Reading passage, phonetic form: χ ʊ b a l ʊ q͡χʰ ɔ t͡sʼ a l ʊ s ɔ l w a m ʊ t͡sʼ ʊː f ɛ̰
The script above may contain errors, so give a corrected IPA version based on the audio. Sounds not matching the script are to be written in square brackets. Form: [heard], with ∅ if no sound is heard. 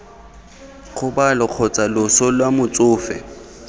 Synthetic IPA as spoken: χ ʊ b a l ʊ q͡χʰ ɔ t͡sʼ a l ʊ s ɔ l w a m ʊ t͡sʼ ʊː f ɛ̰